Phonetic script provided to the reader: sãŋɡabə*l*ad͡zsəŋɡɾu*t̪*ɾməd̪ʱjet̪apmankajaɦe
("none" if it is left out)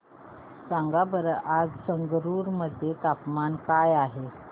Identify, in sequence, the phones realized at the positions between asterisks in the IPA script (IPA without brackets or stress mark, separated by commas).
ɾ, none